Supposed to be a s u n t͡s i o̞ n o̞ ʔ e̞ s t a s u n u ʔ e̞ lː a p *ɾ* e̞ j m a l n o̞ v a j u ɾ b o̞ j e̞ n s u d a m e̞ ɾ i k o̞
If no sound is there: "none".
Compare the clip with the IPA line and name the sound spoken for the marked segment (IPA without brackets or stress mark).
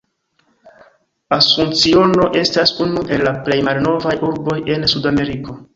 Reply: l